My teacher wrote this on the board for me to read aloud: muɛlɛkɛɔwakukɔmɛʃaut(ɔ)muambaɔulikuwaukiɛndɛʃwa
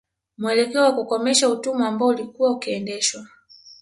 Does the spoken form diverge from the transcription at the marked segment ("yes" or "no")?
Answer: yes